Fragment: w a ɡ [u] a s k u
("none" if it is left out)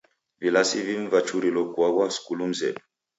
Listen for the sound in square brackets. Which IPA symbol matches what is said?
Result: w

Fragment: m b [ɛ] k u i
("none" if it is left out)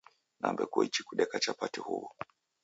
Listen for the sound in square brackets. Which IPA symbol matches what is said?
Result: ɛ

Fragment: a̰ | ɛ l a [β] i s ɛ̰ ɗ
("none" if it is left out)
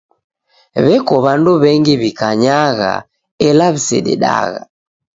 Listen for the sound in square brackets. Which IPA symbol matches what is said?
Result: β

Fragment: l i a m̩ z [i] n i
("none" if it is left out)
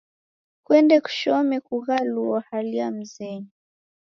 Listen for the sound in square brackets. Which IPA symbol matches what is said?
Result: ɛ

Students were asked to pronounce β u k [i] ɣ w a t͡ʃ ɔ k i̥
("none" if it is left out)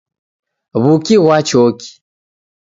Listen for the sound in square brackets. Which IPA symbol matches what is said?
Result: i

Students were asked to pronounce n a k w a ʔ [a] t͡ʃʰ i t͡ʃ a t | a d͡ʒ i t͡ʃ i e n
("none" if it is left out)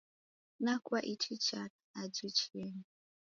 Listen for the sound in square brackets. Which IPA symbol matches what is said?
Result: i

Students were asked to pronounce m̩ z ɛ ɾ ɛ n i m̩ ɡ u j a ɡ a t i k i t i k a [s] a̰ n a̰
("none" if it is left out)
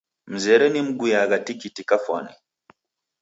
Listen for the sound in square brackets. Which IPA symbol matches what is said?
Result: f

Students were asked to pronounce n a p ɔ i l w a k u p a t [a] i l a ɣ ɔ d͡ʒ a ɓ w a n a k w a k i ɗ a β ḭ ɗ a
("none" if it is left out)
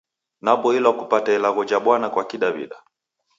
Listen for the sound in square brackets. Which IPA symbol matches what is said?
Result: a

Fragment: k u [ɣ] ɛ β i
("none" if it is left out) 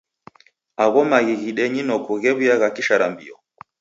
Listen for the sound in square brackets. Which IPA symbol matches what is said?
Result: ɣ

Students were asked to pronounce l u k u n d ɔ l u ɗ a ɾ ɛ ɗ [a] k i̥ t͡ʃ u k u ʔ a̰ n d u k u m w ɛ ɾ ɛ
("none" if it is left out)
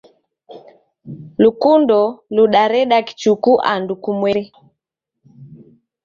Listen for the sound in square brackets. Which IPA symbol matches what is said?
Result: a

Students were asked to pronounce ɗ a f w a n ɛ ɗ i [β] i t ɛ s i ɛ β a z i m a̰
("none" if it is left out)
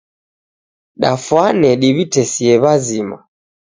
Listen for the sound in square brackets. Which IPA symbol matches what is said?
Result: β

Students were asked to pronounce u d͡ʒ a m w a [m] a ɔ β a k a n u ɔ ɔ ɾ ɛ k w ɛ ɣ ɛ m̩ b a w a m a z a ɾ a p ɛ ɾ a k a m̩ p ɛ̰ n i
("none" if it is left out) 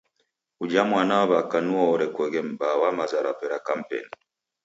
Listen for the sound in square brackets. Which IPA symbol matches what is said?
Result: n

